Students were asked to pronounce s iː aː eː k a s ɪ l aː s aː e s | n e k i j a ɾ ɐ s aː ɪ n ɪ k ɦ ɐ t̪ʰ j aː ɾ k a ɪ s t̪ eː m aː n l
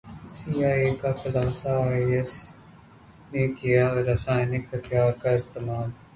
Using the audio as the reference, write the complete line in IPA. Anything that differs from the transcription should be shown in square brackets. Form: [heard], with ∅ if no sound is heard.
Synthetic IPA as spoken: s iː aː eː k a [x] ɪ l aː s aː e s | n e k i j a ɾ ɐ s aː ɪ n ɪ k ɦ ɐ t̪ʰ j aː ɾ k a ɪ s t̪ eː m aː [∅] l